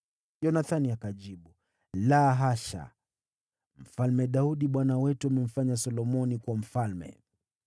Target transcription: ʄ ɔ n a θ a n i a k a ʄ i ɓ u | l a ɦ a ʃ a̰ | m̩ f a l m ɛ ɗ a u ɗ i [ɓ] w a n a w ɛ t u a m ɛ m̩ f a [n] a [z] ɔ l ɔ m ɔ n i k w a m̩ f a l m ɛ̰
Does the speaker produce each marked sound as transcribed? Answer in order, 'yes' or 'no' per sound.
yes, no, no

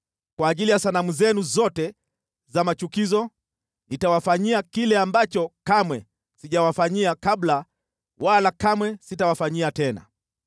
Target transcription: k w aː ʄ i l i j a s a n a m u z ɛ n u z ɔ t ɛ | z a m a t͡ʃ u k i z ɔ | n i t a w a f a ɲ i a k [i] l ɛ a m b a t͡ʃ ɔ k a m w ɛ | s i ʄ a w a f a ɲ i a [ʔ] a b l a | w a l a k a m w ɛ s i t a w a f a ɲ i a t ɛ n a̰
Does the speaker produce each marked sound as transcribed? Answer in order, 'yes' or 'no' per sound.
yes, no

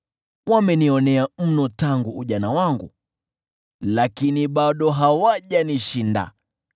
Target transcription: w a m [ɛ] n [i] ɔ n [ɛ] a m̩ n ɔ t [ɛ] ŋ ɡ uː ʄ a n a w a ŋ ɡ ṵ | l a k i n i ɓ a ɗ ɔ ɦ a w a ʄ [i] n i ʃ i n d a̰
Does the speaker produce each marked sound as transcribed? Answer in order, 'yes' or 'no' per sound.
yes, yes, yes, no, no

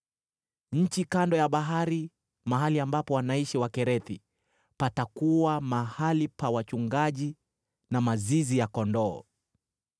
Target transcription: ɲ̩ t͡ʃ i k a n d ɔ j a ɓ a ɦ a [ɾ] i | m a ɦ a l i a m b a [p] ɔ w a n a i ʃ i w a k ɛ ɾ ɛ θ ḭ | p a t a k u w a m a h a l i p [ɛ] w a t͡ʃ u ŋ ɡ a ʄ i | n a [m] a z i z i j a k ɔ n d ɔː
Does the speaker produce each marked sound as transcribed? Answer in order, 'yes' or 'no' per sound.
yes, yes, no, yes

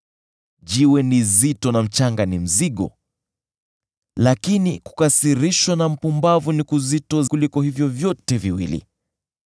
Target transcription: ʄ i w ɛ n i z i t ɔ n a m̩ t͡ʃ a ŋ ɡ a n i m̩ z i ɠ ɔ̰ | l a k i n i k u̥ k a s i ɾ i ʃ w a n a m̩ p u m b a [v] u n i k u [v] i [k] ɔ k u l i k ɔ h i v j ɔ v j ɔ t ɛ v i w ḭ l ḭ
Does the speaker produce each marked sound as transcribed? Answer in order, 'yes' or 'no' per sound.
yes, no, no

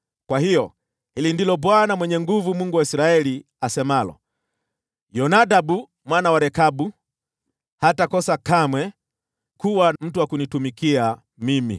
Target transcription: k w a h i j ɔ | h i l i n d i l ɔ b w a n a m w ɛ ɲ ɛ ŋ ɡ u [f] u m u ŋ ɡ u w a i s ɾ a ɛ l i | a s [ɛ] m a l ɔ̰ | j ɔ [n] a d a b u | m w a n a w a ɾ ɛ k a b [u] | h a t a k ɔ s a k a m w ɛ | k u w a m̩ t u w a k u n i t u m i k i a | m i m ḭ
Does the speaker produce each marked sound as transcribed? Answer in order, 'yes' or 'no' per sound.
no, yes, yes, yes

